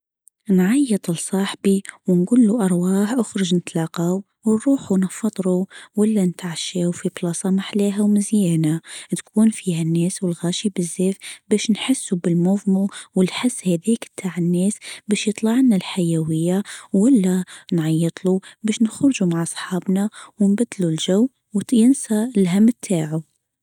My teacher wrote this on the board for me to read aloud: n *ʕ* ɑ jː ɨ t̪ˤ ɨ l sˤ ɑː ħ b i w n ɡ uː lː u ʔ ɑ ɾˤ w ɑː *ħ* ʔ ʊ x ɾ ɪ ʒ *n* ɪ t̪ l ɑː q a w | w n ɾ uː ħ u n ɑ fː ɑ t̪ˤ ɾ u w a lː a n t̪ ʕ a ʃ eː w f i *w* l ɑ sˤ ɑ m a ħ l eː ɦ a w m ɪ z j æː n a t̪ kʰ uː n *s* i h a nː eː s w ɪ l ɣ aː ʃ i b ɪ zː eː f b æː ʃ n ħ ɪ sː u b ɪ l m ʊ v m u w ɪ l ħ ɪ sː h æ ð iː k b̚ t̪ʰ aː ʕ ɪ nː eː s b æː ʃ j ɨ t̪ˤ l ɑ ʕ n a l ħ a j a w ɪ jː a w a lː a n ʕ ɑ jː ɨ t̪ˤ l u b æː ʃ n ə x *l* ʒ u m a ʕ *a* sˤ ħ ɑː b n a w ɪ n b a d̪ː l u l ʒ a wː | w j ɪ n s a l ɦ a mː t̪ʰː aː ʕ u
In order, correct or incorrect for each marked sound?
correct, correct, correct, incorrect, incorrect, incorrect, incorrect

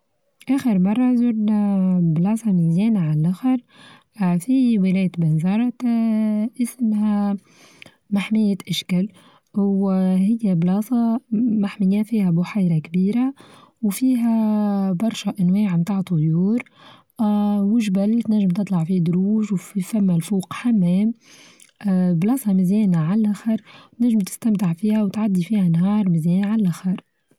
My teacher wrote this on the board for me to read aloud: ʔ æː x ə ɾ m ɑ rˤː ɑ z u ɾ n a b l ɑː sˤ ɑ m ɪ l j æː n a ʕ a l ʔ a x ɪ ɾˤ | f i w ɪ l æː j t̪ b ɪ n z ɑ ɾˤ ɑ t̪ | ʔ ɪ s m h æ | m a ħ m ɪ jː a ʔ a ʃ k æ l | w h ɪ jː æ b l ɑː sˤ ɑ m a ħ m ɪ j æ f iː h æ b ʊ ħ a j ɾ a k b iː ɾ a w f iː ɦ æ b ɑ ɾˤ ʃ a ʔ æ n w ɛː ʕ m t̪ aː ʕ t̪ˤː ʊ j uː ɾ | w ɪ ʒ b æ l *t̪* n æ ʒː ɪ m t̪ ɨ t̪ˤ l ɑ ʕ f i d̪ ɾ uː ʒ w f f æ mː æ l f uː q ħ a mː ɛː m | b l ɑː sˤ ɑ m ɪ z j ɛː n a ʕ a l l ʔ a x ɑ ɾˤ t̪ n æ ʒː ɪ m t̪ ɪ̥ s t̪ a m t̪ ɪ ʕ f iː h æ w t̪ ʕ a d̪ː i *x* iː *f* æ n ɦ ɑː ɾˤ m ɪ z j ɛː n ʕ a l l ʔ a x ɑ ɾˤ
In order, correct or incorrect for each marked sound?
correct, incorrect, incorrect

